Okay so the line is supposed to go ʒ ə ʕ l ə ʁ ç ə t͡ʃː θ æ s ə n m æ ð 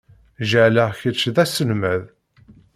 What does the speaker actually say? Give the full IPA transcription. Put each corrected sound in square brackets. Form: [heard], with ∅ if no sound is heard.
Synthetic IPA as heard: ʒ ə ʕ l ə ʁ ç ə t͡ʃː [ð] æ s ə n m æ ð